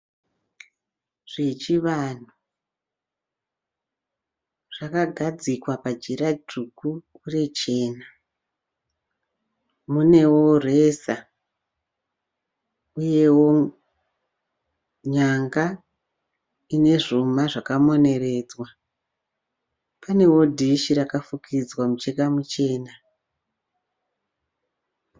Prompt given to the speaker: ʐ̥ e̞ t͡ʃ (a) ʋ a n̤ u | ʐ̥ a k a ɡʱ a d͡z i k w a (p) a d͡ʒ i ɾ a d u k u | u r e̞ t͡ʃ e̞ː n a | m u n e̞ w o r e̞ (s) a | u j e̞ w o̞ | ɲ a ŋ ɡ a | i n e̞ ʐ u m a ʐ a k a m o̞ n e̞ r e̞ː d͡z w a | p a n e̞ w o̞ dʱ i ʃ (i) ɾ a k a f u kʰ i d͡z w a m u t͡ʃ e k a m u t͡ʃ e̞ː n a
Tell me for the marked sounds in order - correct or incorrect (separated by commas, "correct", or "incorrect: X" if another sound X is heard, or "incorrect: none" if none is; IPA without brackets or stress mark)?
incorrect: i, correct, correct, correct